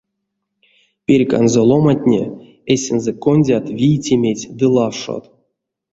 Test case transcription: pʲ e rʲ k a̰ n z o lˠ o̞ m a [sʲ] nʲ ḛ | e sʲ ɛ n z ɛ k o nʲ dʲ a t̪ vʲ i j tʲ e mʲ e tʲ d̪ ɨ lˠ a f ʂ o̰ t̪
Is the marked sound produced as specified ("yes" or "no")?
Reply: no